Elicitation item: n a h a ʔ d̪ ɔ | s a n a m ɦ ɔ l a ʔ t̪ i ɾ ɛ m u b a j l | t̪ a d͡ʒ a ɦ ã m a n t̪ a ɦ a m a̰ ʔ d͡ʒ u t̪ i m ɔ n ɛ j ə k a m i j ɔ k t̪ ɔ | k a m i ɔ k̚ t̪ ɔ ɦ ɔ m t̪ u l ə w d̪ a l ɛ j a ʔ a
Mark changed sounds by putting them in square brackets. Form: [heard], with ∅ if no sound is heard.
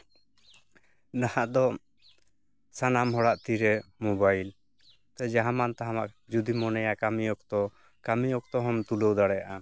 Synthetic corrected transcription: n a h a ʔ d̪ ɔ | s a n a m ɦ ɔ [ɽ] a ʔ t̪ i ɾ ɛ m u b a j l | t̪ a d͡ʒ a ɦ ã m a n t̪ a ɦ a m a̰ ʔ d͡ʒ u [d̪] i m ɔ n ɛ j [a] k a m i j ɔ k t̪ ɔ | k a m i ɔ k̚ t̪ ɔ ɦ ɔ m t̪ u l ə w d̪ a [ɽ] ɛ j a ʔ a